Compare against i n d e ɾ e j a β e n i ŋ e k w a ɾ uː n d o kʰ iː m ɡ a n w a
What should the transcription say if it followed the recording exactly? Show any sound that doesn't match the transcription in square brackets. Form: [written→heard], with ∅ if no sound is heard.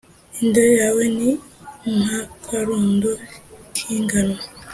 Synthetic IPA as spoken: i n d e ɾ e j a [β→w] e n i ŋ [e→a] k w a ɾ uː n d o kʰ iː [m→ŋ] ɡ a n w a

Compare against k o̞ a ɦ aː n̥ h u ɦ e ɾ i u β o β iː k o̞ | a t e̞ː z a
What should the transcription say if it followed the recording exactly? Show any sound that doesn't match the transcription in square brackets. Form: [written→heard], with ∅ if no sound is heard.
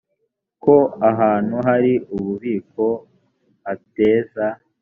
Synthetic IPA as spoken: k o̞ a ɦ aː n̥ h u ɦ [e→a] ɾ i u β [o→u] β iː k o̞ | a t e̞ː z a

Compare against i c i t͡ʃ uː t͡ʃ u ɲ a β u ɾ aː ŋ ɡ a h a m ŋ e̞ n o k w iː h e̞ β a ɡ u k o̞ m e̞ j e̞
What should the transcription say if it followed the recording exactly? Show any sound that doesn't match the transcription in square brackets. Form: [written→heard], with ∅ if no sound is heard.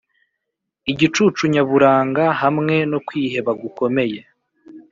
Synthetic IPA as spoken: i [c→ɟ] i t͡ʃ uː t͡ʃ u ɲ a β u ɾ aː ŋ ɡ a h a m ŋ e̞ n o k w iː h e̞ β a ɡ u k o̞ m e̞ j e̞

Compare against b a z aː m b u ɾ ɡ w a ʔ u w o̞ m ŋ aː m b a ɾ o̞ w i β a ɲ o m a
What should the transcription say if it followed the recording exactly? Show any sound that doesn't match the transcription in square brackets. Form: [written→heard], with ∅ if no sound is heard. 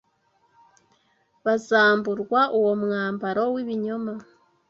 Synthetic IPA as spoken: [b→β] a z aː m b u ɾ ɡ w a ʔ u w o̞ m ŋ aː m b a ɾ o̞ w i β [a→i] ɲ o m a

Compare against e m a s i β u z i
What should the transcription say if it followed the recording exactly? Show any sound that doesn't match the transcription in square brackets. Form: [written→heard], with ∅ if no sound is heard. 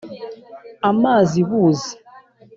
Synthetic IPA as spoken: [e→a] m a [s→z] i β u z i

